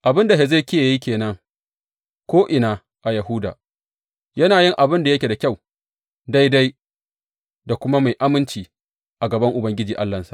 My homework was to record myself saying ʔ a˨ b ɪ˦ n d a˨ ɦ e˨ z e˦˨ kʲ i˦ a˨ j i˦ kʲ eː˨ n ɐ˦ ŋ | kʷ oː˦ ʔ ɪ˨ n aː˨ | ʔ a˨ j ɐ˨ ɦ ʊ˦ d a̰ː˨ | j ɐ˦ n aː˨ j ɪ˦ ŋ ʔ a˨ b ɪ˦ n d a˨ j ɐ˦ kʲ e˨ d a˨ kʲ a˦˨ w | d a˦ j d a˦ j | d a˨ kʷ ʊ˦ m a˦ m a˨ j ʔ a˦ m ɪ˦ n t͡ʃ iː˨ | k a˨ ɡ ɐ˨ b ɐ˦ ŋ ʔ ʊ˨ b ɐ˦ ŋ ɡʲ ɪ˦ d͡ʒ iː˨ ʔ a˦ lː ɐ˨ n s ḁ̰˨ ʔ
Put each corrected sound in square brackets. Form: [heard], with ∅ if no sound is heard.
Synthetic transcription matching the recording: ʔ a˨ b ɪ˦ n d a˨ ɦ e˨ z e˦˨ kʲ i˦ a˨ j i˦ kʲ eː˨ n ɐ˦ ŋ | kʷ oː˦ ʔ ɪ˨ n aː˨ | ʔ a˨ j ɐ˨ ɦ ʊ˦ d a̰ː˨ | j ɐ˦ n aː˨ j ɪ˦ ŋ ʔ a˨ b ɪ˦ n d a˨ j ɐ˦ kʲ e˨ d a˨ kʲ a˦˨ w | d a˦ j d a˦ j | d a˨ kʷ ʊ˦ m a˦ m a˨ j ʔ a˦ m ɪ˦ n t͡ʃ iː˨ | [ʔ] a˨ ɡ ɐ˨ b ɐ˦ ŋ ʔ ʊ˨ b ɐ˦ ŋ ɡʲ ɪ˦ d͡ʒ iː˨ ʔ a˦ lː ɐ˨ n s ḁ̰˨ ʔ

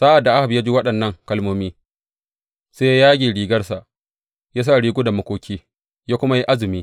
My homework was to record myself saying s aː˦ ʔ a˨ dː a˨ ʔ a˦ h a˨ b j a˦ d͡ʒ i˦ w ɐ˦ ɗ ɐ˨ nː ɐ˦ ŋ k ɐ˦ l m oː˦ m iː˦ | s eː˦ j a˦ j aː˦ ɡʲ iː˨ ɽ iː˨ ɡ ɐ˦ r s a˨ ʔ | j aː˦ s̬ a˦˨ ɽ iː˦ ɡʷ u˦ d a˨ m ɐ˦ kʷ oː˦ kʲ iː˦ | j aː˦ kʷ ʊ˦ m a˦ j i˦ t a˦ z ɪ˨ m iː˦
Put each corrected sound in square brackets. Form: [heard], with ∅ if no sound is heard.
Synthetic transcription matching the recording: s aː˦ ʔ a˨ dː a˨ ʔ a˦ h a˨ b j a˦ d͡ʒ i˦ w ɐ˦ ɗ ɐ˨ nː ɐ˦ ŋ k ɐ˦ l m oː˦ m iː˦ | s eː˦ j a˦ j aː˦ ɡʲ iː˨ ɽ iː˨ ɡ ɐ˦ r s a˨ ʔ | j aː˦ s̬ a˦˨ ɽ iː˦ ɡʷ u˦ d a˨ m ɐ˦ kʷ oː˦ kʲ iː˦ | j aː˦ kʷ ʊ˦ m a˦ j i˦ [ʔ] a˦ z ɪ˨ m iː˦

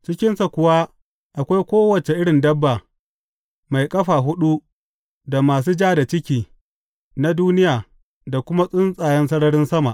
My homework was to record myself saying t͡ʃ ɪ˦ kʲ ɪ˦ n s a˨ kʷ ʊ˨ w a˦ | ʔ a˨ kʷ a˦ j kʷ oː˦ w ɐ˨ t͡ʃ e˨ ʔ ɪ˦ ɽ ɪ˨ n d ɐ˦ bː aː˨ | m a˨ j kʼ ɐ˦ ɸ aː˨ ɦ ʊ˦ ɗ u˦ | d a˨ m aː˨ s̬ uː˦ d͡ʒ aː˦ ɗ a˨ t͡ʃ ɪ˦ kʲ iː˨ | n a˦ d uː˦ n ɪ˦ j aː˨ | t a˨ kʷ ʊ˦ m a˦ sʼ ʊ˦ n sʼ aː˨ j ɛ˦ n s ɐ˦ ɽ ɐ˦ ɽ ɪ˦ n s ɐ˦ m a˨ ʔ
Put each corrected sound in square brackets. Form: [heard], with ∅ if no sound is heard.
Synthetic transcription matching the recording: t͡ʃ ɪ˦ kʲ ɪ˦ n s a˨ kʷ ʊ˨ w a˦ | ʔ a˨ kʷ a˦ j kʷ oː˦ w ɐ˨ t͡ʃ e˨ ʔ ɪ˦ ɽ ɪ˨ n d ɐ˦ bː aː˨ | m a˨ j kʼ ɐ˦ ɸ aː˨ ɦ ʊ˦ ɗ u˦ | d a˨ m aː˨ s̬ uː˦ d͡ʒ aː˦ [d] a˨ t͡ʃ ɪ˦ kʲ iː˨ | n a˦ d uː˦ n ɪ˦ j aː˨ | [d] a˨ kʷ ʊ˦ m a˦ sʼ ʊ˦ n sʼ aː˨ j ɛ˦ n s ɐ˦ ɽ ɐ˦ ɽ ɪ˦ n s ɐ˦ m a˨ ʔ

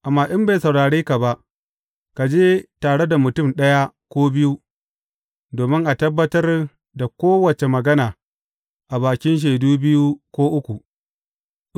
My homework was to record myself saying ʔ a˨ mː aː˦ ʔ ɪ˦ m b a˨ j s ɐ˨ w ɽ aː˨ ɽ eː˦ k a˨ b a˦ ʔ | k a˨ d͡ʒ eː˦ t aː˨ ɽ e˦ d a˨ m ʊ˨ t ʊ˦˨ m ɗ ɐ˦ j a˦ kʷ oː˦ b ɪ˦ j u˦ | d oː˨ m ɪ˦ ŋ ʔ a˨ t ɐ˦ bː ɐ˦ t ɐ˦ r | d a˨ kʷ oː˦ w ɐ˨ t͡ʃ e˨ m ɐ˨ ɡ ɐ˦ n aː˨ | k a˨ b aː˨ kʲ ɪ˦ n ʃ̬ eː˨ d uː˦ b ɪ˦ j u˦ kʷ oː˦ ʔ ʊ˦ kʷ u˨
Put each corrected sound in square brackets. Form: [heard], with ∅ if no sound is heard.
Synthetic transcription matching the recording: ʔ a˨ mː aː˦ ʔ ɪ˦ m b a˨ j s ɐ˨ w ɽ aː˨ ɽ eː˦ k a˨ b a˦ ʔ | k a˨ d͡ʒ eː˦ t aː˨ ɽ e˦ d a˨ m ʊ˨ t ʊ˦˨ m ɗ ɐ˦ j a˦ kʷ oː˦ b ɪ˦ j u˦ | d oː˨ m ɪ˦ ŋ ʔ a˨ t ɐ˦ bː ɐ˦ t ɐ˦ r | d a˨ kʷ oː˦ w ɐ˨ t͡ʃ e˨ m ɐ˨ ɡ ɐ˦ n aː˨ | [ʔ] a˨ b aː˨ kʲ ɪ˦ n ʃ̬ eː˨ d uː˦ b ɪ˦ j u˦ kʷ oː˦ ʔ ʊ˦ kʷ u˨

